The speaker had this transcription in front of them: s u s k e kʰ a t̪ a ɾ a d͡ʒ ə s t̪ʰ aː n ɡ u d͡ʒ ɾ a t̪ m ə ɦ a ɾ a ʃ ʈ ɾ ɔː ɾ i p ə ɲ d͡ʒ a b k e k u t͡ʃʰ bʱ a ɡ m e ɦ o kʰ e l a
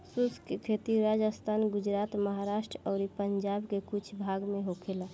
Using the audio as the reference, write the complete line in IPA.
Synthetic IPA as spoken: s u s k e kʰ e t̪ i ɾ a d͡ʒ ə s t̪ʰ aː n ɡ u d͡ʒ ɾ a t̪ m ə ɦ a ɾ a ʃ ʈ ɾ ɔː ɾ i p ə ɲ d͡ʒ a b k e k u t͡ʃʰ bʱ a ɡ m e ɦ o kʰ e l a